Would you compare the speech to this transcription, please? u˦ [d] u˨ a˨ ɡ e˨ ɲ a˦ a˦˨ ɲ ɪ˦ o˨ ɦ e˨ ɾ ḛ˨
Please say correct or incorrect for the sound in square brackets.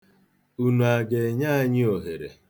incorrect